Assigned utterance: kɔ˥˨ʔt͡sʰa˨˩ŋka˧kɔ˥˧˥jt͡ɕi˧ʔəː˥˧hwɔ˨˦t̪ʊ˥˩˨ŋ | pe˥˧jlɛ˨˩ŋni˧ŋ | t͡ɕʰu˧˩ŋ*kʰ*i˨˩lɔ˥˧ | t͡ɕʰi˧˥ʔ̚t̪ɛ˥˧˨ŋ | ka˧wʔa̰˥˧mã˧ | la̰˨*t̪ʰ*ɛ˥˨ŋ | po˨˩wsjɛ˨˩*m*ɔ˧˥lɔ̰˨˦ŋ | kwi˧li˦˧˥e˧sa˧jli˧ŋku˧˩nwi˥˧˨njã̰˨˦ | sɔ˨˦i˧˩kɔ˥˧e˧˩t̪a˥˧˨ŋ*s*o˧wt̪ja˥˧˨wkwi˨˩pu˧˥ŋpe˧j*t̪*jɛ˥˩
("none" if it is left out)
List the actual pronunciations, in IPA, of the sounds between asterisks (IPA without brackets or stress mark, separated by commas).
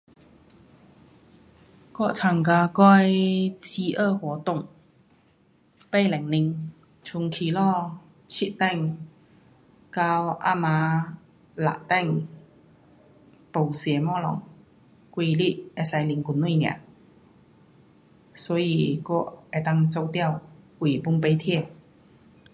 kʰ, t̪, m, t͡s, t̪ʰ